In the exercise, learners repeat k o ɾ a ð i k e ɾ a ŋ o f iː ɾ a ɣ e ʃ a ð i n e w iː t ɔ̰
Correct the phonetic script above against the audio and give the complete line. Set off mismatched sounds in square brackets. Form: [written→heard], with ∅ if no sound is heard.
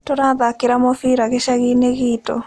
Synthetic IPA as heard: [k→t] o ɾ a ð [i→a] k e ɾ a [ŋ→m] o f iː ɾ a ɣ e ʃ a [ð→ɣ] i n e [w→ɣ] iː t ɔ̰